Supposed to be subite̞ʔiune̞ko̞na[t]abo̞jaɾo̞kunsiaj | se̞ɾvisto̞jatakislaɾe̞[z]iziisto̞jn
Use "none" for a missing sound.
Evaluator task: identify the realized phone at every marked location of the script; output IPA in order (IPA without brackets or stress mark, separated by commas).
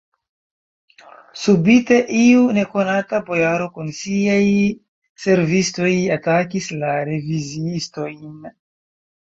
t, v